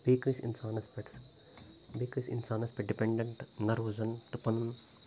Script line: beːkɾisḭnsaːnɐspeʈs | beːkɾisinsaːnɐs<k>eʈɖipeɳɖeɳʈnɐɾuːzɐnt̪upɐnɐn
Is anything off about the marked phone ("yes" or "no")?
yes